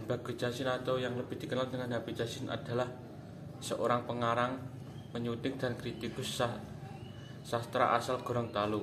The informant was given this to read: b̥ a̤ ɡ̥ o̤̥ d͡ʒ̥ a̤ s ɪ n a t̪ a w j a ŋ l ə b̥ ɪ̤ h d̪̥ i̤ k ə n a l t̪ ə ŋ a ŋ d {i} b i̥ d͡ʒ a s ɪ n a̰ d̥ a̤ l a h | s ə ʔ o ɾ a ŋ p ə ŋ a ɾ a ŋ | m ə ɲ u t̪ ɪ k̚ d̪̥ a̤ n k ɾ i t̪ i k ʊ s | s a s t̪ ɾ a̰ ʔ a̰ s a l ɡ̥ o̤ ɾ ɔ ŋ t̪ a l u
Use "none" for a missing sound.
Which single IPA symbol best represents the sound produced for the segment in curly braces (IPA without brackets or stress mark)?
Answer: a